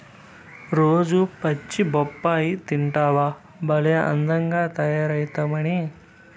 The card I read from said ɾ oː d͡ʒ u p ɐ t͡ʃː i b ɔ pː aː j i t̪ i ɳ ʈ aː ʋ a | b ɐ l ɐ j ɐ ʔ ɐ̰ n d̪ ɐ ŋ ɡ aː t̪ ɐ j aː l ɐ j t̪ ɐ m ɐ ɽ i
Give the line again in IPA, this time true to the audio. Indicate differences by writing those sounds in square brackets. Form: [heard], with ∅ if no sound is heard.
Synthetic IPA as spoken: ɾ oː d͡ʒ u p ɐ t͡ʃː i b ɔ pː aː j i t̪ i ɳ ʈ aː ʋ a | b ɐ l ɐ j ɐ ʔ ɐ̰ n d̪ ɐ ŋ ɡ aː t̪ ɐ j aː [ɾ] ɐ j t̪ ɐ m ɐ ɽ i